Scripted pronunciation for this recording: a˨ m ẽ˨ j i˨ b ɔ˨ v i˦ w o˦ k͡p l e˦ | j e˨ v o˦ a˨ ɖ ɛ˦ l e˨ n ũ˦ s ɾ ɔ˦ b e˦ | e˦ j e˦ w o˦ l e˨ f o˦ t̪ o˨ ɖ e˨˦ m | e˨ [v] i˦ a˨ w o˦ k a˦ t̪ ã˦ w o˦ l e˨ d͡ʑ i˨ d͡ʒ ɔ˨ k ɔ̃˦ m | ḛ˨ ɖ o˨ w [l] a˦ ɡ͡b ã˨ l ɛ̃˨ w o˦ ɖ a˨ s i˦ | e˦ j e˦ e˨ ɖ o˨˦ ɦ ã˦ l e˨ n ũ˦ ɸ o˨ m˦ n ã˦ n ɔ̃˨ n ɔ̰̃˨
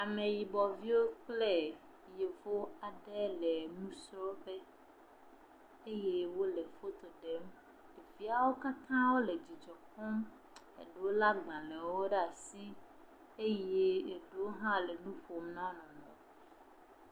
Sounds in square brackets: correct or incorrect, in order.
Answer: correct, correct

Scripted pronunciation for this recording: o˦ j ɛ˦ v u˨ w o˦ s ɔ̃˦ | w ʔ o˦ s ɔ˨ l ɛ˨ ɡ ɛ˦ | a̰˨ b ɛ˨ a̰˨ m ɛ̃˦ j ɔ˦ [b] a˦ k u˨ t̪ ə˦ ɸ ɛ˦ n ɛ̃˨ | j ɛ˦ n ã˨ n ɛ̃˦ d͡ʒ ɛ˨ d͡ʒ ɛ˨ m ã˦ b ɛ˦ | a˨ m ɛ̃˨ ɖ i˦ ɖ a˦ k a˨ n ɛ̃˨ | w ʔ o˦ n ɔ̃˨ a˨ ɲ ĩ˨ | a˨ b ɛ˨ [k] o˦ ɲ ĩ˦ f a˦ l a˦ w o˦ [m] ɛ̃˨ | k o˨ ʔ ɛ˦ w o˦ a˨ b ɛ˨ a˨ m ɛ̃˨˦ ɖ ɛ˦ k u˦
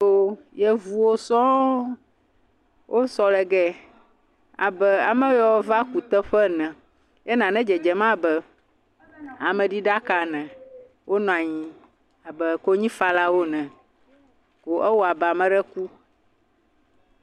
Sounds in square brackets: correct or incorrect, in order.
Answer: incorrect: v, correct, incorrect: n

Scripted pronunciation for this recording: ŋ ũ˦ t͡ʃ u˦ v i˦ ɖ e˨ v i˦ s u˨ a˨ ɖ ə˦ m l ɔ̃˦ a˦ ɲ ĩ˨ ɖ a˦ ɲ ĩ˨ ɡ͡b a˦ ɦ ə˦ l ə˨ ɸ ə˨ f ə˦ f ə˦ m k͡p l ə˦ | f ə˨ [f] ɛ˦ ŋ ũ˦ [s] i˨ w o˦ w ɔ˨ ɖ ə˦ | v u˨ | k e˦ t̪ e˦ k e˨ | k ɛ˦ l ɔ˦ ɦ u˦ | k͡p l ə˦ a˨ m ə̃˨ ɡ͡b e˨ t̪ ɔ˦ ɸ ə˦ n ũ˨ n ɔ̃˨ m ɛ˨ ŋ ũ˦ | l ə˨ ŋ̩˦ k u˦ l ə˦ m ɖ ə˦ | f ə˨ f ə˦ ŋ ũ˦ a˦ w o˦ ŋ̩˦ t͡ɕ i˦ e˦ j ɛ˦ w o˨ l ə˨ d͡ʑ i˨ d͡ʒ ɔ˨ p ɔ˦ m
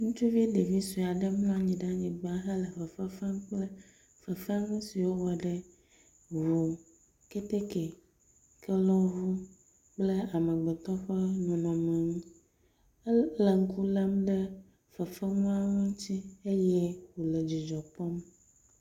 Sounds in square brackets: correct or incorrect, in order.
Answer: correct, correct

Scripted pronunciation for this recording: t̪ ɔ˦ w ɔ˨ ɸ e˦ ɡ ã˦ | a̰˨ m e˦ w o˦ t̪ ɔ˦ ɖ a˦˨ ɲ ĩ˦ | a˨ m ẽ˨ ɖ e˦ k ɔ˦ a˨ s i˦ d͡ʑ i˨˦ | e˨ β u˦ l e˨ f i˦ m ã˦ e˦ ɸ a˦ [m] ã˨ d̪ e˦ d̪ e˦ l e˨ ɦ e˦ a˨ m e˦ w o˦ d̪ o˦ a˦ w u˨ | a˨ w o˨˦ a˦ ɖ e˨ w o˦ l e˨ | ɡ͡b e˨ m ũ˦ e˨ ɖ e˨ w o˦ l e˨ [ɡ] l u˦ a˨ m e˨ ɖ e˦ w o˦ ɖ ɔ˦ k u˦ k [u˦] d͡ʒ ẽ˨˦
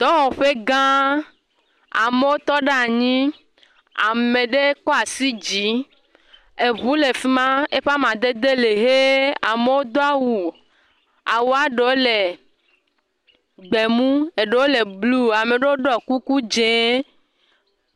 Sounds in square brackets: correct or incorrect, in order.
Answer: correct, incorrect: b, correct

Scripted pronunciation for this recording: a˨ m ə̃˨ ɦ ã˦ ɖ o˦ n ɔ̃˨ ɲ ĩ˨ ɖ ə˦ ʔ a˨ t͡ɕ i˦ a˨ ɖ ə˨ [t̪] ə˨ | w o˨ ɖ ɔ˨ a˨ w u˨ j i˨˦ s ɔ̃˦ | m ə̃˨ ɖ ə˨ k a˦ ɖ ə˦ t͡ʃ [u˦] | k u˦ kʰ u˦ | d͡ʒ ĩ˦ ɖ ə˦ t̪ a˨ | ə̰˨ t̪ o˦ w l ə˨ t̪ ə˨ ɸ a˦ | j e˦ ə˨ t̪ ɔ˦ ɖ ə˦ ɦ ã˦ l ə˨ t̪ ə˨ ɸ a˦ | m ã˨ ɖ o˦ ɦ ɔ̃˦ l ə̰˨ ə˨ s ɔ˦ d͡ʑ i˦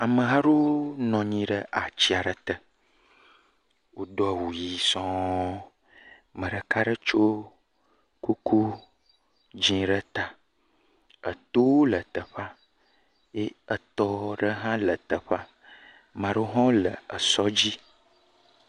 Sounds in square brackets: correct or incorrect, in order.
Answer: correct, incorrect: o˦

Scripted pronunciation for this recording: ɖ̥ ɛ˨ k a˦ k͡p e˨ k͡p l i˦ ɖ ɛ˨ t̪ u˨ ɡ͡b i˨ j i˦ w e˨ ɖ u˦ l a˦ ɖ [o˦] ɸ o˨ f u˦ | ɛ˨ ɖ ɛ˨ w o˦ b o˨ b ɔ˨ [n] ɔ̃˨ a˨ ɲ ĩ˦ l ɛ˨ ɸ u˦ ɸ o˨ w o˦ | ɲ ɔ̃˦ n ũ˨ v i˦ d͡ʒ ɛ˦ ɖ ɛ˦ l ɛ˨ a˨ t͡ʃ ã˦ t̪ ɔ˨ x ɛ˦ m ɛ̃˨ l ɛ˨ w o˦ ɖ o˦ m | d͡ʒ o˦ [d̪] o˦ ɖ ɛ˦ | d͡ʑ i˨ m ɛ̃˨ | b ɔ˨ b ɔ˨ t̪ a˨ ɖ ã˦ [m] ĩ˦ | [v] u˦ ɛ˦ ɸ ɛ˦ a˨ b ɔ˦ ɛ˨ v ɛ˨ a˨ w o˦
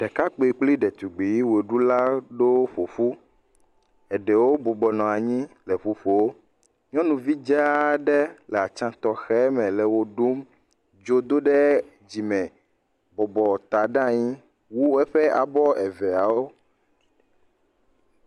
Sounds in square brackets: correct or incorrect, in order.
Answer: correct, correct, correct, incorrect: ɲ, incorrect: w

